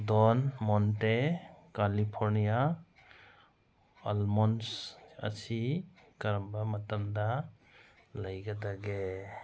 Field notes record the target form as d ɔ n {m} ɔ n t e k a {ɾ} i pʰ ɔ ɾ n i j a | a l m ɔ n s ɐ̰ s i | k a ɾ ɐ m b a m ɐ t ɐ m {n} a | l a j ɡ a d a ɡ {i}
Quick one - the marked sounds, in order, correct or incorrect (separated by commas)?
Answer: correct, incorrect, incorrect, incorrect